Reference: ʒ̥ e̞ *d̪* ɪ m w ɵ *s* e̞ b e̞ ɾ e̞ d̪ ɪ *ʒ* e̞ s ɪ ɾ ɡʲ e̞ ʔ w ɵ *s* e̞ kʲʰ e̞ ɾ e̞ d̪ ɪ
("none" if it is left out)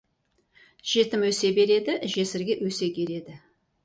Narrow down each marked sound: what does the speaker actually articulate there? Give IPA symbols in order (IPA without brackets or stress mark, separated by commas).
t̪, s, ʒ, s